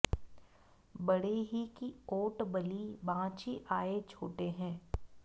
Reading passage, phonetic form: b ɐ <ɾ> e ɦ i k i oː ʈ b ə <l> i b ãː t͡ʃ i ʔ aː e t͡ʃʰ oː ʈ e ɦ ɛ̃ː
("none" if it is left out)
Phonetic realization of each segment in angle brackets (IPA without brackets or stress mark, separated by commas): ɽ, l